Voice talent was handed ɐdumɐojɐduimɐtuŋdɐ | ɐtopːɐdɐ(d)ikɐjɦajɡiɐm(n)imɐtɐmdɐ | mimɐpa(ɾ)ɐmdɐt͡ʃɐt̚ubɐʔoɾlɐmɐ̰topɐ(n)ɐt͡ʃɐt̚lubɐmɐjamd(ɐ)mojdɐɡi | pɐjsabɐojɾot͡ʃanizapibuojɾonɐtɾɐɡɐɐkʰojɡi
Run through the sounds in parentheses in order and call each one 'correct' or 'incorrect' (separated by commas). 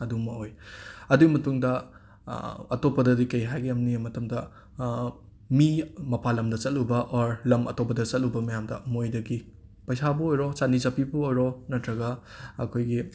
correct, correct, incorrect, incorrect, correct